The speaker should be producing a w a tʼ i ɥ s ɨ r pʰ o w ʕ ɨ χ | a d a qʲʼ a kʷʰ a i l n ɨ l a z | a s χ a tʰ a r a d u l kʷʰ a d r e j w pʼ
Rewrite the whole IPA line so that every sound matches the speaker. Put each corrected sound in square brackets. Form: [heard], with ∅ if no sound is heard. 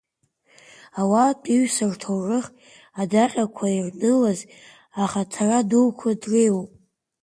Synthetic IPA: a w a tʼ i ɥ s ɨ r [tʰ] o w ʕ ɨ χ | a d a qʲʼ a kʷʰ a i [r] n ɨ l a z | a [∅] χ a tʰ a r a d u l kʷʰ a d r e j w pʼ